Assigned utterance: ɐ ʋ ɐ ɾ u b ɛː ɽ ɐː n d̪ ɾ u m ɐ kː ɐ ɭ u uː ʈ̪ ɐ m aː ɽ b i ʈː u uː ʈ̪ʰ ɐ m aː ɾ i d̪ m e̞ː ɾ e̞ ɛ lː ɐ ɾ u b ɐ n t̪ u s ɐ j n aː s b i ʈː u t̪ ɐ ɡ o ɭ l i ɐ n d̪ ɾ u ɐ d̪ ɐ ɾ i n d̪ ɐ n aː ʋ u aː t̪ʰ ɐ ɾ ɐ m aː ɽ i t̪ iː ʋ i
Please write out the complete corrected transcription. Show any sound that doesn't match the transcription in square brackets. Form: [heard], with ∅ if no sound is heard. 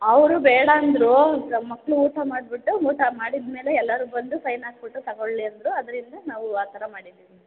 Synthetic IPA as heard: ɐ ʋ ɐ ɾ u b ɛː ɽ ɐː n d̪ ɾ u m ɐ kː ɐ ɭ u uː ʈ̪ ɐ m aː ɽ b i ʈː u uː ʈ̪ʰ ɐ m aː [ɽ] i d̪ m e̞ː [l] e̞ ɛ lː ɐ ɾ u b ɐ n [d̪] u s ɐ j n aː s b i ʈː u t̪ ɐ ɡ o ɭ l i ɐ n d̪ ɾ u ɐ d̪ ɐ ɾ i n d̪ ɐ n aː ʋ u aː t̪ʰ ɐ ɾ ɐ m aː ɽ i [d̪] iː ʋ i